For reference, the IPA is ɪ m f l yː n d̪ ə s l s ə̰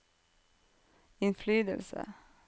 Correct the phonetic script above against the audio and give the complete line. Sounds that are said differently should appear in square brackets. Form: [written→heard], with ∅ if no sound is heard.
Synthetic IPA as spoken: ɪ [m→n] f l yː [n→∅] d̪ ə [s→∅] l s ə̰

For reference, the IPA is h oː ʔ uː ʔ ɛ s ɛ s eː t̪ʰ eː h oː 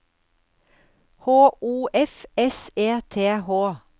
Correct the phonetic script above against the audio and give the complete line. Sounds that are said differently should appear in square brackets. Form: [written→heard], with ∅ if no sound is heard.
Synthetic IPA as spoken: h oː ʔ uː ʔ ɛ [s→f] ɛ s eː t̪ʰ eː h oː

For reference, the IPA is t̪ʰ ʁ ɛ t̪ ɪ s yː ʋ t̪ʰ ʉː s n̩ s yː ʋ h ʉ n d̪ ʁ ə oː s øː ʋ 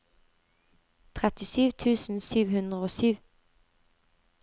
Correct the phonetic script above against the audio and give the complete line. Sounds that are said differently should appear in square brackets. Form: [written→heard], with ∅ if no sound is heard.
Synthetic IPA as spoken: t̪ʰ ʁ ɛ t̪ ɪ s yː ʋ t̪ʰ ʉː s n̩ s yː ʋ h ʉ n d̪ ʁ ə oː s [øː→yː] ʋ

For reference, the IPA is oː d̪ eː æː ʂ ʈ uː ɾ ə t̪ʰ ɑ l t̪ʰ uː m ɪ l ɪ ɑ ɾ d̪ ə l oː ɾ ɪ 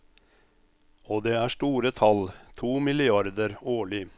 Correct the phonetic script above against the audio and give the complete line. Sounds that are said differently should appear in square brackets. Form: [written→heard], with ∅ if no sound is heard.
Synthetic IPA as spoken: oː d̪ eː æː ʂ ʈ uː ɾ ə t̪ʰ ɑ l t̪ʰ uː m ɪ l ɪ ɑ ɾ d̪ ə [l→ɾ] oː [ɾ→ɭ] ɪ

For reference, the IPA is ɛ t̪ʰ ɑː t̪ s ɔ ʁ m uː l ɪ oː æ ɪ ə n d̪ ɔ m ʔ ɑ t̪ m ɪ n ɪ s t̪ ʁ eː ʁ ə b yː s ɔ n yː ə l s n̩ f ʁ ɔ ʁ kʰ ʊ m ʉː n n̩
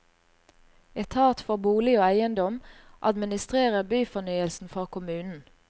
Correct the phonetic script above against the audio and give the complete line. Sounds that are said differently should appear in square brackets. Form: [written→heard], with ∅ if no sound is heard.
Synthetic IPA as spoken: ɛ t̪ʰ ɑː t̪ [s→f] ɔ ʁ [m→b] uː l ɪ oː æ ɪ ə n d̪ ɔ m ʔ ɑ [t̪→d̪] m ɪ n ɪ s t̪ ʁ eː ʁ ə b yː [s→f] ɔ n yː ə l s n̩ f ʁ ɔ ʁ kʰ ʊ m ʉː n n̩

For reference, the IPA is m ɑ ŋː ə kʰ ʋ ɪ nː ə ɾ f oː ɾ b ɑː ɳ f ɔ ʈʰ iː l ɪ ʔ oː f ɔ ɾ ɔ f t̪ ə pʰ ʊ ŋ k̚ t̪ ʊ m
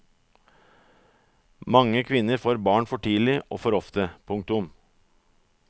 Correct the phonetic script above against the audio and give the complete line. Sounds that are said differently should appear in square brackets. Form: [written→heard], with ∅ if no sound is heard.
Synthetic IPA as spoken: m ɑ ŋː ə kʰ ʋ ɪ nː ə ɾ f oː ɾ b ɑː ɳ f ɔ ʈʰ iː l ɪ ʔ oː f ɔ ɾ ɔ f t̪ ə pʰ ʊ ŋ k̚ t̪ ʊ m

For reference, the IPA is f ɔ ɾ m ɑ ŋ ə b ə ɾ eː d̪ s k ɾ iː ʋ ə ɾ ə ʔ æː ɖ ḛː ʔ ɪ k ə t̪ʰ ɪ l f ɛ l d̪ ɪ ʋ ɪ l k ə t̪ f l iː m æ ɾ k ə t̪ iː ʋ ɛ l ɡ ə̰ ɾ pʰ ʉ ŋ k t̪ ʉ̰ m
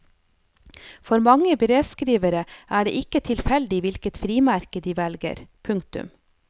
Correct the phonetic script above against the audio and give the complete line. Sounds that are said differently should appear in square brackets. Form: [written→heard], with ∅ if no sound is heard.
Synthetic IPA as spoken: f ɔ ɾ m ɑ ŋ ə b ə ɾ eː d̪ s k ɾ iː ʋ ə ɾ ə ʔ æː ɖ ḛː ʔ ɪ k ə t̪ʰ ɪ l f ɛ l d̪ ɪ ʋ ɪ l k ə t̪ f [l→ɾ] iː m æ ɾ k ə [t̪→d̪] iː ʋ ɛ l ɡ ə̰ ɾ pʰ ʉ ŋ k t̪ ʉ̰ m

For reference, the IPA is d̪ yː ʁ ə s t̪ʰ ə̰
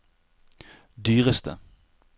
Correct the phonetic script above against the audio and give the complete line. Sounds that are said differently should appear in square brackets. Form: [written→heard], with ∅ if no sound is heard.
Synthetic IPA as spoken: d̪ yː ʁ ə s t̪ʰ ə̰

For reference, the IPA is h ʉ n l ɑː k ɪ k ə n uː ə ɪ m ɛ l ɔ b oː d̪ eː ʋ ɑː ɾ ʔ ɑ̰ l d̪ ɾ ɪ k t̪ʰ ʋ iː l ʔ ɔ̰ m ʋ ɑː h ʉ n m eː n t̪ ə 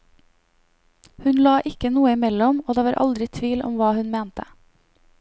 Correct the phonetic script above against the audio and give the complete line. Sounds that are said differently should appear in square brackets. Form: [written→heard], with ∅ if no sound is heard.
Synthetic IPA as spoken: h ʉ n l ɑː [k→ʔ] ɪ k ə n uː ə ɪ m ɛ l ɔ [b→m] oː d̪ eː ʋ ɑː ɾ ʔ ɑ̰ l d̪ ɾ ɪ [k→∅] t̪ʰ ʋ iː l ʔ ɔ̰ m ʋ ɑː h ʉ n m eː n t̪ ə

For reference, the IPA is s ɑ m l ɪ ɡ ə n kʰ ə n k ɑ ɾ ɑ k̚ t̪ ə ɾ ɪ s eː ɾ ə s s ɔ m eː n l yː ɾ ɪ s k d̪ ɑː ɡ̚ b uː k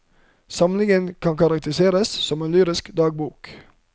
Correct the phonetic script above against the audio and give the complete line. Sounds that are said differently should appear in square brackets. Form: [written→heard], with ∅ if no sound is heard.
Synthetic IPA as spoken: s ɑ m l ɪ [ɡ→ŋ] ə n kʰ [ə→ɑ] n k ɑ ɾ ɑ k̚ t̪ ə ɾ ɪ s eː ɾ ə s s ɔ m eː n l yː ɾ ɪ s k d̪ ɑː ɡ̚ b uː k

